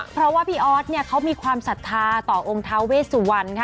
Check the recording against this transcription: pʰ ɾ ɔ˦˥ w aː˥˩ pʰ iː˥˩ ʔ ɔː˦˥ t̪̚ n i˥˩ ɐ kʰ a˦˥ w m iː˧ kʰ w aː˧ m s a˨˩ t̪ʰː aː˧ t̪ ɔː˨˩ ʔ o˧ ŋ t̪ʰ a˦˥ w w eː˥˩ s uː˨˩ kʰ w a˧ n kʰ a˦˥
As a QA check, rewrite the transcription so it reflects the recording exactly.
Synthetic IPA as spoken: pʰ ɾ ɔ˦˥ w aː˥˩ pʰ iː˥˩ ʔ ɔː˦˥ t̪̚ n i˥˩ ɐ kʰ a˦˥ w m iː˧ kʰ w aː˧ m s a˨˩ t̪ʰː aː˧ t̪ ɔː˨˩ ʔ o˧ ŋ t̪ʰ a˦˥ w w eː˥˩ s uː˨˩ w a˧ n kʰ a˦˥